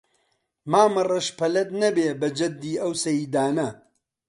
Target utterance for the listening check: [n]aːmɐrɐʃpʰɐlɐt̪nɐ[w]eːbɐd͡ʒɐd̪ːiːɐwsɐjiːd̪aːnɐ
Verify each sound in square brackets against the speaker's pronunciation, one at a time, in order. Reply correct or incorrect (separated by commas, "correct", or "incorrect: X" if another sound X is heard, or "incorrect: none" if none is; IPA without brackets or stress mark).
incorrect: m, incorrect: b